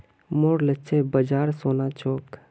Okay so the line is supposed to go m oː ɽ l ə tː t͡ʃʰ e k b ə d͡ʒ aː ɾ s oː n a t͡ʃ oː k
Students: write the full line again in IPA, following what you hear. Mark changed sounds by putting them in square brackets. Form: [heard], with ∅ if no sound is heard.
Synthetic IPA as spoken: m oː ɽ l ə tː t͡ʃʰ e [∅] b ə d͡ʒ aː ɾ s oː n a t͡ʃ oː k